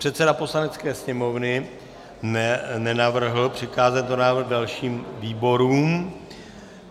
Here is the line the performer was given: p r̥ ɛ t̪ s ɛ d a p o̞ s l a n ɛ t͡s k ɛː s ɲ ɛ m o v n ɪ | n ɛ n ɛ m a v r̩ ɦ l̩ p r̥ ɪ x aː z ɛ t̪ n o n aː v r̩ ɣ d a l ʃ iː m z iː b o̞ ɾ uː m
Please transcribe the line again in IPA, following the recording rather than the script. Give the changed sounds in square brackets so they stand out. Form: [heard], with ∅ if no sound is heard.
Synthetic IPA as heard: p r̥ ɛ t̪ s ɛ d a p o̞ s l a n ɛ t͡s k ɛː s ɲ ɛ m o v n ɪ | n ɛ n ɛ [n] a v r̩ ɦ l̩ p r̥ ɪ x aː z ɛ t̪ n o n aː v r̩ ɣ d a l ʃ iː m [v] iː b o̞ ɾ uː m